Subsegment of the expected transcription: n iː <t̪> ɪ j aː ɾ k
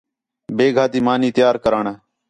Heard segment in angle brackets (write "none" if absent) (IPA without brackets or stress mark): t̪